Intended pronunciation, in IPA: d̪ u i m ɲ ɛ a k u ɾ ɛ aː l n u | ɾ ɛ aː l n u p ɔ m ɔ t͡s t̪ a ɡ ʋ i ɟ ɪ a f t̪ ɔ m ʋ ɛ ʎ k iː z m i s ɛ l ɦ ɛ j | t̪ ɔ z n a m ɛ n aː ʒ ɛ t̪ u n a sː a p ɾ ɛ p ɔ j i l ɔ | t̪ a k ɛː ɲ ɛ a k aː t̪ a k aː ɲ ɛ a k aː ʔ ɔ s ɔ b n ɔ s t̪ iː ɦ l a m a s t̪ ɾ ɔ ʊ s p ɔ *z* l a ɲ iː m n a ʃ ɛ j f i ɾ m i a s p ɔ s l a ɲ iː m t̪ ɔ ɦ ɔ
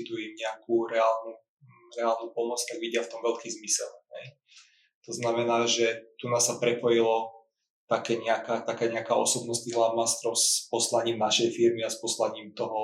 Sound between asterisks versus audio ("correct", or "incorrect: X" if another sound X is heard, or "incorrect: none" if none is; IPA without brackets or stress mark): incorrect: s